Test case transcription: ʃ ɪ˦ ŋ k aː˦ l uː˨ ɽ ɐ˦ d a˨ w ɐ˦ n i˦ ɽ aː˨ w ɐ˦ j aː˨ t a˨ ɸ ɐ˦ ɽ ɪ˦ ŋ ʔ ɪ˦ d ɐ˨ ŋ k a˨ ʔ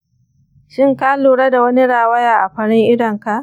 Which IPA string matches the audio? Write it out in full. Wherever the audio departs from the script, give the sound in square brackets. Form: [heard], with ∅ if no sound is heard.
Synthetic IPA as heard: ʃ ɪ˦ ŋ k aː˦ l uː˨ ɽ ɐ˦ d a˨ w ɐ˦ n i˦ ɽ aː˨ w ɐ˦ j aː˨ [ʔ] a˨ ɸ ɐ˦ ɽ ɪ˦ ŋ ʔ ɪ˦ d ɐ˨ ŋ k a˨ ʔ